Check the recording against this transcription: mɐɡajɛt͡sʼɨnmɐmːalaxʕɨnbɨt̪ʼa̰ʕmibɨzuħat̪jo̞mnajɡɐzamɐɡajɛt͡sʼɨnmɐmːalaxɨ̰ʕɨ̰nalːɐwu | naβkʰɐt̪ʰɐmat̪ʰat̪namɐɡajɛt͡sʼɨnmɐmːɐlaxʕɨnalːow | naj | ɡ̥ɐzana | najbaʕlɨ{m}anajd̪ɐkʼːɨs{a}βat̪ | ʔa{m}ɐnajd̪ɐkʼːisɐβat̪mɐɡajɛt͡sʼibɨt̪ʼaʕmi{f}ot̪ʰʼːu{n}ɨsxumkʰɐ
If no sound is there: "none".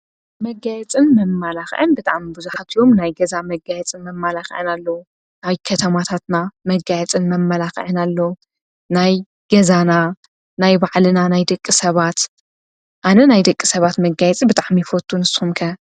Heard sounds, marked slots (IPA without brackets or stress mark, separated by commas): n, ɐ, n, f, n